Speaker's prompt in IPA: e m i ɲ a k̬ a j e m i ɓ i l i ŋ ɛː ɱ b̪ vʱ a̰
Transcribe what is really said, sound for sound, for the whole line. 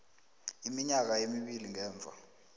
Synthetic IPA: i m i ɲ a k̬ a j e m i ɓ i l i ŋ ɛː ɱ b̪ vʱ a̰